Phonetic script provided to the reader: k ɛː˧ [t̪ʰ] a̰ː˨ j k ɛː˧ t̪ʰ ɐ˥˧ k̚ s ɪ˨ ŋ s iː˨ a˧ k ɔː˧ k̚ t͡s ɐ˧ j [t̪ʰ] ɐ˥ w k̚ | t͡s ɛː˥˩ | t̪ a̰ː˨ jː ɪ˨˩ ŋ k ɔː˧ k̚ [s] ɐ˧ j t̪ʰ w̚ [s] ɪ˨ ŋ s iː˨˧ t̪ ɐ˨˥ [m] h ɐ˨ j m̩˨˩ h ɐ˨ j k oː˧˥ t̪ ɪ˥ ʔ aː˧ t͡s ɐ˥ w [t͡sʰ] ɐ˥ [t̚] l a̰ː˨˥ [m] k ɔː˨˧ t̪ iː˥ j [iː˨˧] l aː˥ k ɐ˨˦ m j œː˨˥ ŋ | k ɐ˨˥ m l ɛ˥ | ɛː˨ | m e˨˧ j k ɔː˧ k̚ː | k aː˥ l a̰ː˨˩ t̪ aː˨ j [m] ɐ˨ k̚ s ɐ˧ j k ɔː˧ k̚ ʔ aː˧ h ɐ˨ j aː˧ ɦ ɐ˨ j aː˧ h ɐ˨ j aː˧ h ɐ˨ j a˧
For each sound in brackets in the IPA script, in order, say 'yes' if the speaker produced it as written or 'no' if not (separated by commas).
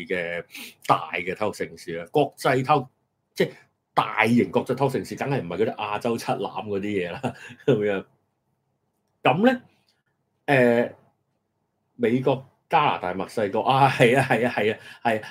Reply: no, yes, no, yes, no, yes, yes, yes, no, yes